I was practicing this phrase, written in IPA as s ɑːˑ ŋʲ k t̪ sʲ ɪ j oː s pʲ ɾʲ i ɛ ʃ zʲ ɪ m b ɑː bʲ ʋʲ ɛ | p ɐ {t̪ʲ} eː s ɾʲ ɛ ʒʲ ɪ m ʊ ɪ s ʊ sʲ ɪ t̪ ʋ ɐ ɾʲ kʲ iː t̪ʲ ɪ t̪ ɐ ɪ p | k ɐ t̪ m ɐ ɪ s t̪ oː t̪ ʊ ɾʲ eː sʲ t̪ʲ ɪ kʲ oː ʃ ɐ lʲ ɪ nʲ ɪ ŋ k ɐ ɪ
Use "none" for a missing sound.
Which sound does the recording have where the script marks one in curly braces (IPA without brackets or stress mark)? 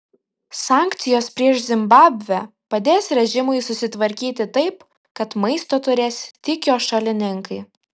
d̪ʲ